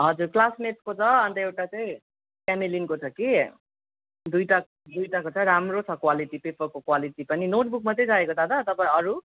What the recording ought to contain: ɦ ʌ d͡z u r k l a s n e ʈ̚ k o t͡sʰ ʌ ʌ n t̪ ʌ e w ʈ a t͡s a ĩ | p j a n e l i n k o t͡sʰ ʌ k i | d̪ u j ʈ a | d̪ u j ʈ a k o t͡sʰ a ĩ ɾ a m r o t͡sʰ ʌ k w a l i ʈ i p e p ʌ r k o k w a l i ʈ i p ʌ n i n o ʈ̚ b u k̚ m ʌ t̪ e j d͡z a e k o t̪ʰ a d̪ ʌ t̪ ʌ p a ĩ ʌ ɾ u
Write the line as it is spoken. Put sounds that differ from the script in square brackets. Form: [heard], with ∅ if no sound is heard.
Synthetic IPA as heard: ɦ ʌ d͡z u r k l a s n e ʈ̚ k o t͡sʰ ʌ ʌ n t̪ ʌ e w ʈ a t͡s a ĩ | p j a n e l i n k o t͡sʰ ʌ k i | d̪ u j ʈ a | d̪ u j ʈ a k o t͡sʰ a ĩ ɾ a m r o t͡sʰ ʌ k w a l i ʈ i p e p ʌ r k o k w a l i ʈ i p ʌ n i n o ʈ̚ b u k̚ m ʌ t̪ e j d͡z a e k o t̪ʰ a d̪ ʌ t̪ ʌ p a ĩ ʌ ɾ u

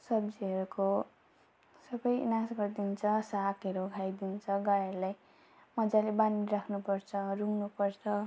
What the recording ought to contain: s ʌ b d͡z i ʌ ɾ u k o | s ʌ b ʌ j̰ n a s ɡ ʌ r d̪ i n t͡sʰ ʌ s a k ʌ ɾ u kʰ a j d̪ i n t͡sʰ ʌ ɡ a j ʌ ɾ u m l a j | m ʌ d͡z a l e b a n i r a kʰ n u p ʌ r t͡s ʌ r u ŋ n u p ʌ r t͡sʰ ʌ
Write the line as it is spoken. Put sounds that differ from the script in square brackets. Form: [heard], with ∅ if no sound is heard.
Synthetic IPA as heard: s ʌ b d͡z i ʌ ɾ u k o | s ʌ b ʌ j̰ n a s ɡ ʌ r d̪ i n t͡sʰ ʌ s a k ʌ ɾ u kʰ a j d̪ i n t͡sʰ ʌ ɡ a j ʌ ɾ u [∅] l a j | m ʌ d͡z a l e b a n i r a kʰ n u p ʌ r [t͡sʰ] ʌ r u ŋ n u p ʌ r t͡sʰ ʌ

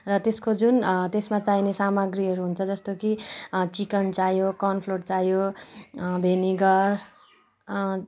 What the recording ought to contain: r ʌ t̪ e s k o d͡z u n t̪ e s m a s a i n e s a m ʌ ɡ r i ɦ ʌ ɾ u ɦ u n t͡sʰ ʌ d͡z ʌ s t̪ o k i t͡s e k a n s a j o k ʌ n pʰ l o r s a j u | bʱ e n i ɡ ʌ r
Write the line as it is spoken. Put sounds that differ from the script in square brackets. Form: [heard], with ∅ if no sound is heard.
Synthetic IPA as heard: r ʌ t̪ e s k o d͡z u n t̪ e s m a [t͡s] a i n e s a m ʌ ɡ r i ɦ ʌ ɾ u ɦ u n t͡sʰ ʌ d͡z ʌ s t̪ o k i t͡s [i] k [ʌ] n [t͡s] a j o k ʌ n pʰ l o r [t͡s] a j [o] | bʱ e n i ɡ ʌ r

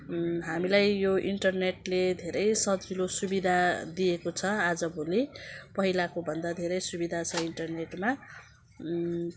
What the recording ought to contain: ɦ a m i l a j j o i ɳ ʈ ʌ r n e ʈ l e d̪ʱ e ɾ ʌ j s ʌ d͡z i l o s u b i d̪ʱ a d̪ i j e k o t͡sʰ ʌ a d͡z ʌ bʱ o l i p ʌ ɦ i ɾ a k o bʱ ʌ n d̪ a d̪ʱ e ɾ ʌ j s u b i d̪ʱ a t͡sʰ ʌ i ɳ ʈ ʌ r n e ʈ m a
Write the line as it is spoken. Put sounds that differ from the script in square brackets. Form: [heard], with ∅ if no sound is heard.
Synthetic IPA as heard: ɦ a m i l a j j o i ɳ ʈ ʌ r n e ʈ l e d̪ʱ e ɾ ʌ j s ʌ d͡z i l o s u b i d̪ʱ a d̪ i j e k o t͡sʰ ʌ a d͡z ʌ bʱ o l i p ʌ ɦ i [l] a k o bʱ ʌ n d̪ a d̪ʱ e ɾ ʌ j s u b i d̪ʱ a t͡sʰ ʌ i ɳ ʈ ʌ r n e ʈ m a

